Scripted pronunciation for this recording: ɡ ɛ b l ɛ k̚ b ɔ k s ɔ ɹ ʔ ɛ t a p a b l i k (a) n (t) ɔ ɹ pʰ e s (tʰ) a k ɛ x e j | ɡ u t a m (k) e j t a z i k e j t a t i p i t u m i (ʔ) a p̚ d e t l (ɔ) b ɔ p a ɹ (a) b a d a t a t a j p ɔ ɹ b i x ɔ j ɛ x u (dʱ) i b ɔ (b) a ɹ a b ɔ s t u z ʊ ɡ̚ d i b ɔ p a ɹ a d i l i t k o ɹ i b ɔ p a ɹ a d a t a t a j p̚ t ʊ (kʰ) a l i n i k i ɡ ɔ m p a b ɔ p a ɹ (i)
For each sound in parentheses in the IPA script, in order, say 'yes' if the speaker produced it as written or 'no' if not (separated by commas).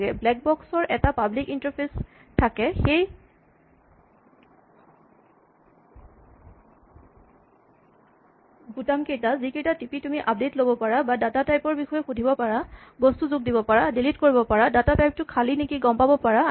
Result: no, yes, yes, yes, yes, no, yes, yes, no, yes, no